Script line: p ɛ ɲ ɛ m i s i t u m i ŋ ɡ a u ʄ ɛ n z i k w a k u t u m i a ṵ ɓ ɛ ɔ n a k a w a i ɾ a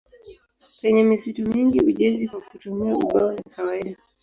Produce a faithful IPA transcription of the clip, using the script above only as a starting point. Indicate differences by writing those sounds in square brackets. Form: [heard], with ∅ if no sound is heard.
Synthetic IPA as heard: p ɛ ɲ ɛ m i s i t u m i ŋ ɡ [i] u ʄ ɛ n z i k w a k u t u m i a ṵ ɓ [a] ɔ n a k a w a i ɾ a